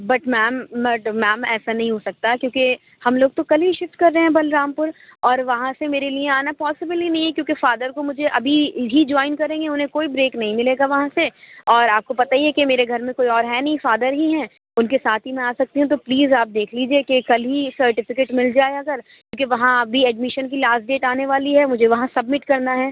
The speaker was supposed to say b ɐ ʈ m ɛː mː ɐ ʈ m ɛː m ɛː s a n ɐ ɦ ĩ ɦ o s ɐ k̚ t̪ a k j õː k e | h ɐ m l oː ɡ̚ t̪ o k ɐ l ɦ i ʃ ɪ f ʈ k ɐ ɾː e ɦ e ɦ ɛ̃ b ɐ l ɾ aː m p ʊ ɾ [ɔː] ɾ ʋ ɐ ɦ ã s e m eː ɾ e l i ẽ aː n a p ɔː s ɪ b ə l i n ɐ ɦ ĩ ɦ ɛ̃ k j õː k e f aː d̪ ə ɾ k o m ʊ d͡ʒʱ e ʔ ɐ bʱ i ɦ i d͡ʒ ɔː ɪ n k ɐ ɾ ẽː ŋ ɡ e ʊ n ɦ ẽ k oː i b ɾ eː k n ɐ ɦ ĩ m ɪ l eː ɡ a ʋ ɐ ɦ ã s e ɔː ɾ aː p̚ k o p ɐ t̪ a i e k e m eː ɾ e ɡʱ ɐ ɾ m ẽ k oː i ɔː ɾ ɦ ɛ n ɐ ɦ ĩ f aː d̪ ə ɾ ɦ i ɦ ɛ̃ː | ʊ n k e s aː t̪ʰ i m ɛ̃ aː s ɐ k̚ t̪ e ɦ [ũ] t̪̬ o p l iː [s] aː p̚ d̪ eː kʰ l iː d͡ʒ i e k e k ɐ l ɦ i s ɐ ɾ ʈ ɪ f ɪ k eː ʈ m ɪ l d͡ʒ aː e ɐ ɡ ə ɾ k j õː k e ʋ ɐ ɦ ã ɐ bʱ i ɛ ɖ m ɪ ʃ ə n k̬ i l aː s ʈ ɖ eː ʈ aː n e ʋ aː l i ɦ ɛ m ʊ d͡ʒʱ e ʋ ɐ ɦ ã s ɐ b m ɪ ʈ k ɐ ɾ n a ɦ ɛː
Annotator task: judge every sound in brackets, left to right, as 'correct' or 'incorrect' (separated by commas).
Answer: correct, correct, incorrect